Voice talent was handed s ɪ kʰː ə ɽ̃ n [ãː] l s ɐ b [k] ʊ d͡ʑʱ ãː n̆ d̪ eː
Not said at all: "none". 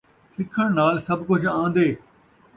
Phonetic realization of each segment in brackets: aː, k

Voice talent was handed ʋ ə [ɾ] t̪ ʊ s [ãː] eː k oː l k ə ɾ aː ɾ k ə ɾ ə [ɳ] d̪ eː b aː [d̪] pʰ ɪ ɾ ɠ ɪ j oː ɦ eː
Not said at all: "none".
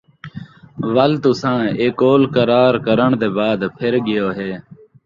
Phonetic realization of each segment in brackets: l, ãː, ɳ, d̪

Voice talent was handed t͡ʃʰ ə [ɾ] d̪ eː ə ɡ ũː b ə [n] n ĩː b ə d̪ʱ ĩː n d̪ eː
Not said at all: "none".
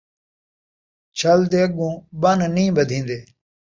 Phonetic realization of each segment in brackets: l, n

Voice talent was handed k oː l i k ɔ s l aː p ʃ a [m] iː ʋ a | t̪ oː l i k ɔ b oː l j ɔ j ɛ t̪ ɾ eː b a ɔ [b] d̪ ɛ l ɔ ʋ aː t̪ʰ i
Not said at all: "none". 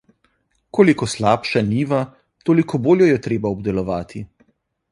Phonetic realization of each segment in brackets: n, b

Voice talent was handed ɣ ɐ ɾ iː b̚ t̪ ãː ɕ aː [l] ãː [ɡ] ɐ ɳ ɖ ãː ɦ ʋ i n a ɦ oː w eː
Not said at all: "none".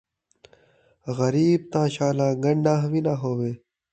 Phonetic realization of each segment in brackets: l, ɡ

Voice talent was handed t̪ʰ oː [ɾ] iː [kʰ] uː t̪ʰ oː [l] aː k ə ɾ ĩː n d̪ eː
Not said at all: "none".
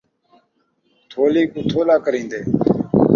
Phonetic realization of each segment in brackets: l, k, l

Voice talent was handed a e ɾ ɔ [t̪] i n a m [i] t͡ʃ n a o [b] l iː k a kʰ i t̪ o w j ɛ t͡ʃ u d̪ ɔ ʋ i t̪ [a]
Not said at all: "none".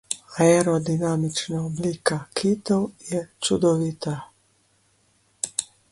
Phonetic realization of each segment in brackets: d̪, i, b, a

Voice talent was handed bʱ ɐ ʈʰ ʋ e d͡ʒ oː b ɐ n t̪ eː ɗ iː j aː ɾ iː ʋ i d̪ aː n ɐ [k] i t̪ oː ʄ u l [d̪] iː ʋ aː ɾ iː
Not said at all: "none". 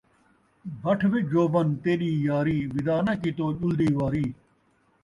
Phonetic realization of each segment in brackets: k, d̪

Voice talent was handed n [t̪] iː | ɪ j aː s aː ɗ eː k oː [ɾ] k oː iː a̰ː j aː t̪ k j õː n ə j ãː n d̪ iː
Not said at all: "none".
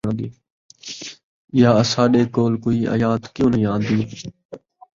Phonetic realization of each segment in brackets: d̪, l

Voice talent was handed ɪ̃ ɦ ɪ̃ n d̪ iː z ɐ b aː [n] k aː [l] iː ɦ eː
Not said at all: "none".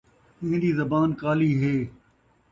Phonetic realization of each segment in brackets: n, l

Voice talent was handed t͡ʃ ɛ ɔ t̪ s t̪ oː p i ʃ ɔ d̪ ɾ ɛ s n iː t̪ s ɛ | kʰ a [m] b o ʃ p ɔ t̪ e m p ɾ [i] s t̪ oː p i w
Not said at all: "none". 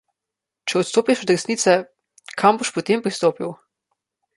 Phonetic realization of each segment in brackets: m, i

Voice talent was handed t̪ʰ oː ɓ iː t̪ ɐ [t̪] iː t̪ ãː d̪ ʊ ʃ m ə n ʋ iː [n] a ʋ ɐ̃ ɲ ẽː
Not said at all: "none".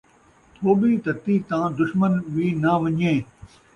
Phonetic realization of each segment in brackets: t̪, n

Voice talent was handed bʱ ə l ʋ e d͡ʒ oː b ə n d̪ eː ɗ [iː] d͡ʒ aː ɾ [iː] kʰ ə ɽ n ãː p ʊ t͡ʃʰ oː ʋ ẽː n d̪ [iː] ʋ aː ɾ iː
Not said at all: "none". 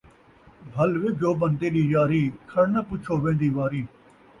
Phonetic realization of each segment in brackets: iː, iː, iː

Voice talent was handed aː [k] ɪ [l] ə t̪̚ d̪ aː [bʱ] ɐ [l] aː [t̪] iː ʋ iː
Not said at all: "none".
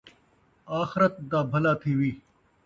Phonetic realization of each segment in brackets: x, ɾ, bʱ, l, t̪ʰ

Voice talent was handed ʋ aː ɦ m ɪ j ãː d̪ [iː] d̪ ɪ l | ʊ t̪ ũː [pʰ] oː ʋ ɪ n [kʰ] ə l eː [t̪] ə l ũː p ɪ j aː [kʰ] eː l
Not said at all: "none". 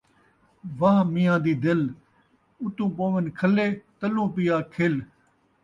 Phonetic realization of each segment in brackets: iː, p, kʰ, t̪, kʰ

